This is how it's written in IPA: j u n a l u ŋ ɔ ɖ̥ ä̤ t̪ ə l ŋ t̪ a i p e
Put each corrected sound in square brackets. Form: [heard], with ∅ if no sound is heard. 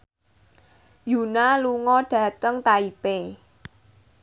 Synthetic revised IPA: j u n a l u ŋ ɔ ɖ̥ ä̤ t̪ ə [∅] ŋ t̪ a i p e